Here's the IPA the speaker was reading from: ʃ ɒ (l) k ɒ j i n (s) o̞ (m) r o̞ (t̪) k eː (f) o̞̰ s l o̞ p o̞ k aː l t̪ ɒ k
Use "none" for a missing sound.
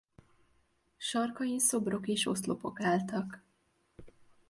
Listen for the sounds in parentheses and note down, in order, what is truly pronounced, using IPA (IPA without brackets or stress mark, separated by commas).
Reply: r, s, b, none, ʃ